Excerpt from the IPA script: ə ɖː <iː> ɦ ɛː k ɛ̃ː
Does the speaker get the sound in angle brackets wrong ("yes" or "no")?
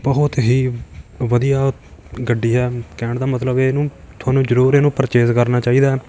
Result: no